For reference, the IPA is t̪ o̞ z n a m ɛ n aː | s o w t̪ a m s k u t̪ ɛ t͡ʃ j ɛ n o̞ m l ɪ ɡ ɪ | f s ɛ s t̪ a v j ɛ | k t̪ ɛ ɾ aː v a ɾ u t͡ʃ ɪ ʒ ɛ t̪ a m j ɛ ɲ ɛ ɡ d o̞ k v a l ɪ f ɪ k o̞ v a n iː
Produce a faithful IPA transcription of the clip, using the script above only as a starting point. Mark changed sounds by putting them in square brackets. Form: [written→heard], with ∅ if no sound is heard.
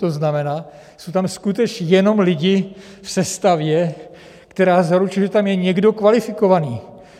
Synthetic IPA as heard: t̪ o̞ z n a m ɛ n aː | s o w t̪ a m s k u t̪ ɛ t͡ʃ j ɛ n o̞ m l ɪ [ɡ→ɟ] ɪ | f s ɛ s t̪ a v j ɛ | k t̪ ɛ ɾ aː [v→z] a ɾ u t͡ʃ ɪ ʒ ɛ t̪ a m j ɛ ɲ ɛ ɡ d o̞ k v a l ɪ f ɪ k o̞ v a n iː